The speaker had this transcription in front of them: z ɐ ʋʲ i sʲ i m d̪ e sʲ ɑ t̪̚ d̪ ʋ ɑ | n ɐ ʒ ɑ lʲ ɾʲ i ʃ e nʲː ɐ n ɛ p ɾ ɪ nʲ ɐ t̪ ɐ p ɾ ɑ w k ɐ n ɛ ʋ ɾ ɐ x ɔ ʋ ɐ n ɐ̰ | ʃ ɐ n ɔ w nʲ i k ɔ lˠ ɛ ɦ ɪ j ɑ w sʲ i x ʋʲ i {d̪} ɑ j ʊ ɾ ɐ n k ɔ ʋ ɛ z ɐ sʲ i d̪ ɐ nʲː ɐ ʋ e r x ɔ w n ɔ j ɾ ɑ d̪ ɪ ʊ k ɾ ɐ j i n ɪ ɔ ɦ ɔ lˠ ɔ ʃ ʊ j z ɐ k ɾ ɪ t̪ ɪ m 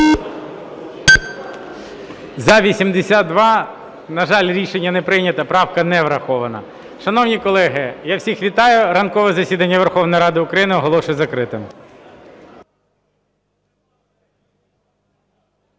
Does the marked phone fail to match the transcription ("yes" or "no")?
yes